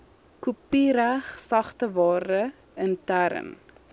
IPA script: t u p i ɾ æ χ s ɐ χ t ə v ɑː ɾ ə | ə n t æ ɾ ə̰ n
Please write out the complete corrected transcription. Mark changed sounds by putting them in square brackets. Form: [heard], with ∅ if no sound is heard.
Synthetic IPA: [k] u p i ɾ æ χ s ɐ χ t ə v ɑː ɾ ə | ə n t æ ɾ ə̰ n